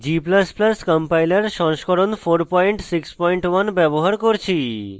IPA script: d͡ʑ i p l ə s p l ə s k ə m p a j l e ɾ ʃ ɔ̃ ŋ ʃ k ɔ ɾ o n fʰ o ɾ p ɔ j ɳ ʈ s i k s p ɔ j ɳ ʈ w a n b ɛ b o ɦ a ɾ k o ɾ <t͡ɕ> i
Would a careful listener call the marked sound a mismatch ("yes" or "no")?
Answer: yes